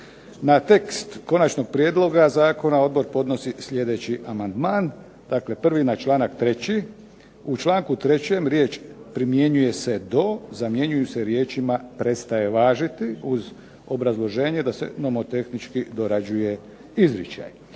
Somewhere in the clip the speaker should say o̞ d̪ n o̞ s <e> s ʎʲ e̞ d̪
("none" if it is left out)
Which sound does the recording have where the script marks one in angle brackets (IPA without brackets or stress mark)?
i